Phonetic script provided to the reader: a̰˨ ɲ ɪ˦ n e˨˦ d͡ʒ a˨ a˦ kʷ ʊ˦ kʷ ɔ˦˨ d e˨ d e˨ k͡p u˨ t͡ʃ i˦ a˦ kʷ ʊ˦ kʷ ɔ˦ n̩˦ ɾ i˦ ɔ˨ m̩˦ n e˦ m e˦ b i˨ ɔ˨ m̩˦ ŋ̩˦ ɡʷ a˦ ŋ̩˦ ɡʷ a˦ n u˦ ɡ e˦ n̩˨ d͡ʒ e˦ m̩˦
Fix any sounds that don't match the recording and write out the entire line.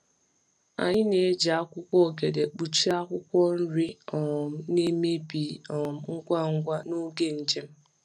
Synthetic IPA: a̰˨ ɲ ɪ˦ n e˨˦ d͡ʒ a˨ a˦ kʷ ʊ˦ kʷ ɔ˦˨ ɡ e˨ d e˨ k͡p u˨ t͡ʃ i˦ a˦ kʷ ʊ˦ kʷ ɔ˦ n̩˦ ɾ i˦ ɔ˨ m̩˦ n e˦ m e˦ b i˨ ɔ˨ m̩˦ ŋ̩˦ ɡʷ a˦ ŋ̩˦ ɡʷ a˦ n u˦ ɡ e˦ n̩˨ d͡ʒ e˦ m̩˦